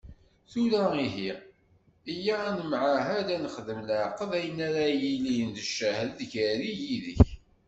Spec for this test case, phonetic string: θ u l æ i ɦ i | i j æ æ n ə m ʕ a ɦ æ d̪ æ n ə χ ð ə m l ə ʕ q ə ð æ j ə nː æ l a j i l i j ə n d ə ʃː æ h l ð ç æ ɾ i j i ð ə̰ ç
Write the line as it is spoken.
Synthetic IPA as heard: θ u l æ i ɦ i | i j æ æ n ə m ʕ a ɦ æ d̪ æ n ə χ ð ə m l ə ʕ q ə ð æ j ə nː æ ɾ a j i l i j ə n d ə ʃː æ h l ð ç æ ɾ i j i ð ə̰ ç